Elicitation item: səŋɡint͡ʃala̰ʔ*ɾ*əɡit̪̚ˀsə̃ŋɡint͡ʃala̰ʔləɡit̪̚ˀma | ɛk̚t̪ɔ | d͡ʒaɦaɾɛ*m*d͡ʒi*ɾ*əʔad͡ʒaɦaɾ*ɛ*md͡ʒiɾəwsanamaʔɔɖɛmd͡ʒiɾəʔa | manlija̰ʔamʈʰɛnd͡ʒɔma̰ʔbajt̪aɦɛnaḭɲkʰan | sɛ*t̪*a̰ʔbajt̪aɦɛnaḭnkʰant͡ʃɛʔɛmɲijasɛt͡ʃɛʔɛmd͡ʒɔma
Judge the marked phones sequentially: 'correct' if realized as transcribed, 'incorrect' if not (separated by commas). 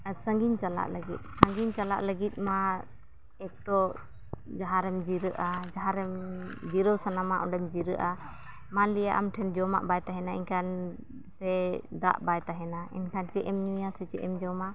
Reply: incorrect, correct, correct, correct, incorrect